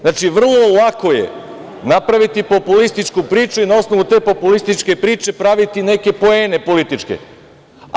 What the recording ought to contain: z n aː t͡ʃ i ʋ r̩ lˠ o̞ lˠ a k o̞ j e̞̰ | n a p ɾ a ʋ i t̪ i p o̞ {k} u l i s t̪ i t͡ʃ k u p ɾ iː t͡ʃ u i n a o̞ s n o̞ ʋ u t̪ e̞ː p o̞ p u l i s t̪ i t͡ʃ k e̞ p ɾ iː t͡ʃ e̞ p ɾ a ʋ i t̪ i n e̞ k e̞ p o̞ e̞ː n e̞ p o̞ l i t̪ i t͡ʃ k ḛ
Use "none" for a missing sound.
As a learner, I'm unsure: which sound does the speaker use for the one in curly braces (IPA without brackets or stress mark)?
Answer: p